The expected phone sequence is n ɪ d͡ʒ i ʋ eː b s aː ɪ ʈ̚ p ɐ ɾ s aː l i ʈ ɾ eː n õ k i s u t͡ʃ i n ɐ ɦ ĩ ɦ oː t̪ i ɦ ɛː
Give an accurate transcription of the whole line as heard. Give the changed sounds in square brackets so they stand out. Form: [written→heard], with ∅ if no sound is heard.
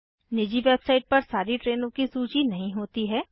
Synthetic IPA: n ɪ d͡ʒ i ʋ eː b s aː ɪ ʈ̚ p ɐ ɾ s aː [l→ɾ] i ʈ ɾ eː n õ k i s [u→uː] t͡ʃ i n ɐ ɦ ĩ ɦ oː t̪ i ɦ ɛː